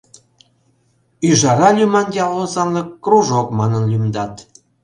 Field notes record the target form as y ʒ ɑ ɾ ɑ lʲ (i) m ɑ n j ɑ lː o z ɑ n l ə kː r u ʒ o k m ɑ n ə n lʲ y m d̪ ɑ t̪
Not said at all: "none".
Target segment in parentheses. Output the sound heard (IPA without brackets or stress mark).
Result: y